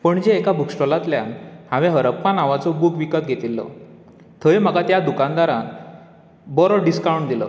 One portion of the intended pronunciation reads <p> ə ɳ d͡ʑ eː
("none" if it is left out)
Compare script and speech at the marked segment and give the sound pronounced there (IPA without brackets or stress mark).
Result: p